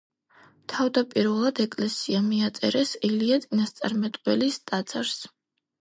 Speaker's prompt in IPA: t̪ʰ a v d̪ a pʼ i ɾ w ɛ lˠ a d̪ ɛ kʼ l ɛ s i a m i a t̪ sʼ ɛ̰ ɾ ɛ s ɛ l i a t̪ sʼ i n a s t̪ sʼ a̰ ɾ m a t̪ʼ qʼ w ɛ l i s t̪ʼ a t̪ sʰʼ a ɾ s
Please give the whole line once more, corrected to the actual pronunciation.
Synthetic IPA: t̪ʰ a v d̪ a pʼ i ɾ v ɛ lˠ a d̪ ɛ kʼ l ɛ s i a m i a t̪ sʼ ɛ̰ ɾ ɛ s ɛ l i a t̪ sʼ i n a s t̪ sʼ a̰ ɾ m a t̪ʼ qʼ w ɛ l i s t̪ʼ a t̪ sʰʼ a ɾ s